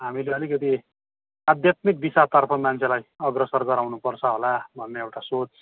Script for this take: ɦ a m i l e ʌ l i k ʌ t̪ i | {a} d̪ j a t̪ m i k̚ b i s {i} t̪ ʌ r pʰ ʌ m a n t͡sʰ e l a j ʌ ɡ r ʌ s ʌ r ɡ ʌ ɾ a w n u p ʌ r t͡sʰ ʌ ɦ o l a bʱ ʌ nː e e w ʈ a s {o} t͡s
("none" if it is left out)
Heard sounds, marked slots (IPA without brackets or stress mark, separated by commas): a, a, o